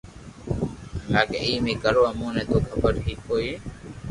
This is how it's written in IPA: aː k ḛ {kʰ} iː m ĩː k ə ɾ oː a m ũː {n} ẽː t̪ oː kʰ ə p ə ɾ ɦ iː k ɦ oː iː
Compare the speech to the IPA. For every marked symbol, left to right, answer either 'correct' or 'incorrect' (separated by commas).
incorrect, correct